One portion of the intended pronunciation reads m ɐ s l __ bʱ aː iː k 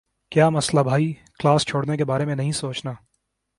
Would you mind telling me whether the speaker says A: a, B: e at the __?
A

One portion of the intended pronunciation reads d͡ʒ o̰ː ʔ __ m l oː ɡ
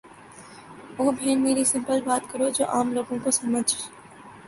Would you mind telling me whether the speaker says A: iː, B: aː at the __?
B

